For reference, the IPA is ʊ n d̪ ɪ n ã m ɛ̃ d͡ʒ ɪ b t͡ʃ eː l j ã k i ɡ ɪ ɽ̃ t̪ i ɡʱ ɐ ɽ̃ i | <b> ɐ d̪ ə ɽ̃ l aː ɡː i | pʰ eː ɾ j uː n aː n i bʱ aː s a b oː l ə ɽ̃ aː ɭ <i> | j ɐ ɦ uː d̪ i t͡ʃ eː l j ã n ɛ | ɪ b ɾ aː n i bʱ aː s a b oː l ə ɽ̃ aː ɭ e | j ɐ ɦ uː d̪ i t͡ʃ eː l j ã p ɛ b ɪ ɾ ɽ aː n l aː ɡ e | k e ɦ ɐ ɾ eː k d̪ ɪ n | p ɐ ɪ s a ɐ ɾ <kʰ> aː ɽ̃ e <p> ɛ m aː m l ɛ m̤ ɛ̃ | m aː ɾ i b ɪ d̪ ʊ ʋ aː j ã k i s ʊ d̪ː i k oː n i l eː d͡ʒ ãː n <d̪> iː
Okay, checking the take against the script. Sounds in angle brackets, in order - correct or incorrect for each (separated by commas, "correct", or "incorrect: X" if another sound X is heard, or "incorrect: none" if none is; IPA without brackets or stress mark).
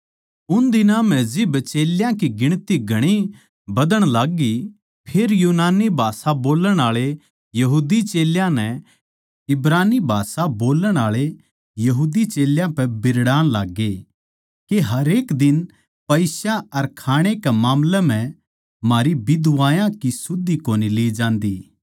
correct, incorrect: e, correct, incorrect: k, correct